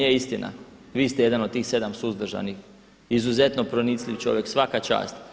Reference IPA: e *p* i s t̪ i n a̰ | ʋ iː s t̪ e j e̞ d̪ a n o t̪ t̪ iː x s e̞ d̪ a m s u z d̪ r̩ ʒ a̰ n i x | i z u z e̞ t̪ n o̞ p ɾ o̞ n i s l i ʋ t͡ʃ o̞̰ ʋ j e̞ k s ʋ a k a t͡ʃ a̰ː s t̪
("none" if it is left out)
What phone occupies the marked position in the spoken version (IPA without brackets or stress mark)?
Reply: none